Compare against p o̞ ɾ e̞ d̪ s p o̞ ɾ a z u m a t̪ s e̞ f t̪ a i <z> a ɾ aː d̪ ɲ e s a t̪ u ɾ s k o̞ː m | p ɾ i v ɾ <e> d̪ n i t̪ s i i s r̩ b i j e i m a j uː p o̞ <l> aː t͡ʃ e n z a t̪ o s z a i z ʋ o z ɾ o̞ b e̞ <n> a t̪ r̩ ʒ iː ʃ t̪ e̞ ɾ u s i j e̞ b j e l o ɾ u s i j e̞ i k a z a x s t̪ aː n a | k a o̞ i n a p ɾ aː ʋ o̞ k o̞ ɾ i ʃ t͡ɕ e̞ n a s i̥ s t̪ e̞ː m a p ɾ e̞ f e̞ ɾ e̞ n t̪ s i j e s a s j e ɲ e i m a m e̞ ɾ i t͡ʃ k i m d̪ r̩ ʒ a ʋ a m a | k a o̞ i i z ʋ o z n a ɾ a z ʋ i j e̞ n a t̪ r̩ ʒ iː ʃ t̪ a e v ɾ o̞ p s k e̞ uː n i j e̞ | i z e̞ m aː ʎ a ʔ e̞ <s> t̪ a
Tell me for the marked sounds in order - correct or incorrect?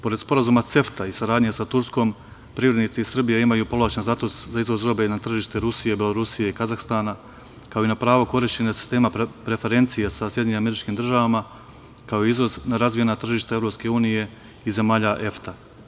incorrect: s, correct, correct, correct, incorrect: f

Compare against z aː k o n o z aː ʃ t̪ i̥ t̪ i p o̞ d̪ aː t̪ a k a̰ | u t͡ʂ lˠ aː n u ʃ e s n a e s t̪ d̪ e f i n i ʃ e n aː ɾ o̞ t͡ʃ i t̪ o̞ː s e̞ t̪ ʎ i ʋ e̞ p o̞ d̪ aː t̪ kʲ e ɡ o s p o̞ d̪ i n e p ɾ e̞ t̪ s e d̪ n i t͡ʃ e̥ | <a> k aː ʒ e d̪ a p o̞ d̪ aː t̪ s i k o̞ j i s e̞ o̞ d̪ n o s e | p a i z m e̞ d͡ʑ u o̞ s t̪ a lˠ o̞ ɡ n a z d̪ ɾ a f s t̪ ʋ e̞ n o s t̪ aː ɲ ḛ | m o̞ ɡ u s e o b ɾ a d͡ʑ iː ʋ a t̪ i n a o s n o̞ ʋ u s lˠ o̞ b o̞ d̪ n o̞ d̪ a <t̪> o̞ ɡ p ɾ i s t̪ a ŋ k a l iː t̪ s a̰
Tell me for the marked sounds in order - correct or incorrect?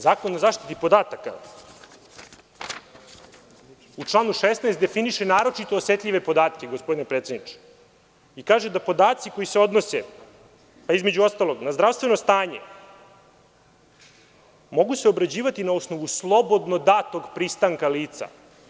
incorrect: i, correct

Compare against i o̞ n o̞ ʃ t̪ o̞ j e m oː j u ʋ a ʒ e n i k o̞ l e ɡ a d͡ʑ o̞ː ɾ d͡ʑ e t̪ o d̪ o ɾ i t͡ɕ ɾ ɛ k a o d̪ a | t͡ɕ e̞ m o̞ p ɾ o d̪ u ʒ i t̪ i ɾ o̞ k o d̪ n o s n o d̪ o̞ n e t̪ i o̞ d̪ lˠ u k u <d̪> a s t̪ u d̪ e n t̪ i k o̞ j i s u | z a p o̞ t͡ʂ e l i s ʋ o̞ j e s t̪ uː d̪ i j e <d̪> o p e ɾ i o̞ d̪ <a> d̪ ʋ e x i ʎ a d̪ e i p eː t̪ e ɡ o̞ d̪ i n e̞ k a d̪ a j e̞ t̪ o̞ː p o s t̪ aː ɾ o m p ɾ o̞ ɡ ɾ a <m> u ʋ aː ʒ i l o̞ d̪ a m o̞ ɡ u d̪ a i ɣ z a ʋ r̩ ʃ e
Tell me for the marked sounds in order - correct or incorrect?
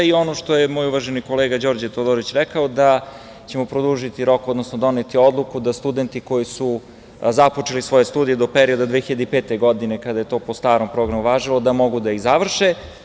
correct, correct, correct, correct

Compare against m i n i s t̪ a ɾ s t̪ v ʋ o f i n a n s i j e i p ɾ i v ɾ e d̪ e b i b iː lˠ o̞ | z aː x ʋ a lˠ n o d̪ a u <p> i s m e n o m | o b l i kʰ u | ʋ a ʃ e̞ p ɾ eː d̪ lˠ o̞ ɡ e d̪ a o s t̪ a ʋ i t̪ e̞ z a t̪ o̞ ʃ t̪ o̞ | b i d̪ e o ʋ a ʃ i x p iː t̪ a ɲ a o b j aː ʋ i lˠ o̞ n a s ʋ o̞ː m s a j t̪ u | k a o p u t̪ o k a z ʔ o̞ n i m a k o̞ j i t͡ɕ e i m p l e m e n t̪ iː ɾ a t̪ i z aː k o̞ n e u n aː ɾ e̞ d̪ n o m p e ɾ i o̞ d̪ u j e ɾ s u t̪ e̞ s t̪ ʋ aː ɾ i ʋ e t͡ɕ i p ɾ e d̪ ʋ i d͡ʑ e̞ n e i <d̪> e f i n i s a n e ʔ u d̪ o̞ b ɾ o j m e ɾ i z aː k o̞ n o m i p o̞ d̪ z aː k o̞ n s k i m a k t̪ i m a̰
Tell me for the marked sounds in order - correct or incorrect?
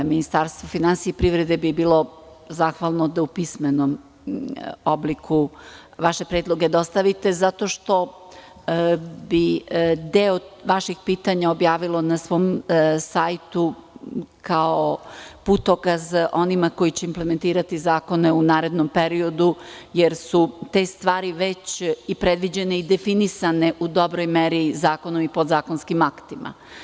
correct, correct

